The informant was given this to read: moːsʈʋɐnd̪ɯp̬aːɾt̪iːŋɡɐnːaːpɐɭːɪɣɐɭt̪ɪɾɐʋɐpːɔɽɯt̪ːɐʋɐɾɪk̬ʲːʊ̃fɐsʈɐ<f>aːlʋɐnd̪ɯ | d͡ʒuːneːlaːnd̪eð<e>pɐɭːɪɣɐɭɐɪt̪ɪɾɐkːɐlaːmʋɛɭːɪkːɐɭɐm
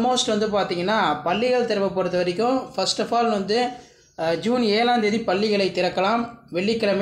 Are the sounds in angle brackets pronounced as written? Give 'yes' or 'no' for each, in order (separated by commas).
yes, no